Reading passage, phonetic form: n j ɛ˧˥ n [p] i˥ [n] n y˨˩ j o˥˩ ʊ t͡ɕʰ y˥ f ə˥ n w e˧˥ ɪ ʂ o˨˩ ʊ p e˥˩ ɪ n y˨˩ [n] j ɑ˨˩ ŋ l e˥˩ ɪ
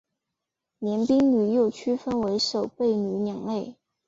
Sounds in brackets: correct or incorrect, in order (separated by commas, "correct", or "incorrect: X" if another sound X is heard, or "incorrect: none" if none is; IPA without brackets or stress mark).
correct, incorrect: ŋ, correct